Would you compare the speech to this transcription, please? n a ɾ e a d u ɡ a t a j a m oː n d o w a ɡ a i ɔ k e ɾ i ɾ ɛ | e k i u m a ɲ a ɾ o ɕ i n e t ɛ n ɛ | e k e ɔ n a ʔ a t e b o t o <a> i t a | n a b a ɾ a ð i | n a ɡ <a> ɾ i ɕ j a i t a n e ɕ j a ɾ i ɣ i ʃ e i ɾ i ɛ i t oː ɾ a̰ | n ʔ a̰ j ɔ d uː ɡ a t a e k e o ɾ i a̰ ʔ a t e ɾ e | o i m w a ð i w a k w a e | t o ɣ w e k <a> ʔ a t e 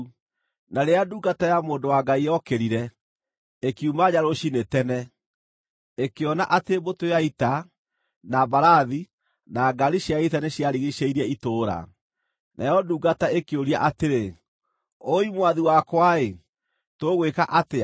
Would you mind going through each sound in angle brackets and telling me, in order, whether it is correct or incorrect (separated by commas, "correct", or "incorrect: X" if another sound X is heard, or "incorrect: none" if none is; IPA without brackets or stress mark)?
correct, correct, correct